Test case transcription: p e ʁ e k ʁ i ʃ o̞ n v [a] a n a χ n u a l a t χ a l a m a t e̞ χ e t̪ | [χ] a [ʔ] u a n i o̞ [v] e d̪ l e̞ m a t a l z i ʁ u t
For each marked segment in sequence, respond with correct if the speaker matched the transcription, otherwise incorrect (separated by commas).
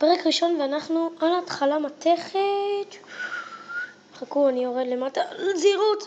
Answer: incorrect, correct, incorrect, incorrect